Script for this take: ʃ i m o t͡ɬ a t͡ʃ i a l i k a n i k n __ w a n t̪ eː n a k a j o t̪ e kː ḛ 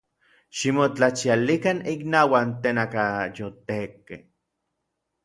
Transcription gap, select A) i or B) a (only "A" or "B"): B